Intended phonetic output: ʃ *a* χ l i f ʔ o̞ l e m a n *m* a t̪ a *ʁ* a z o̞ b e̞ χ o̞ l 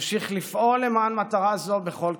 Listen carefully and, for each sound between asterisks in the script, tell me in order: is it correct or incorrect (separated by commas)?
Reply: incorrect, correct, correct